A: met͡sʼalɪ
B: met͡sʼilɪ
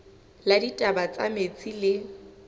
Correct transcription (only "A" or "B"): B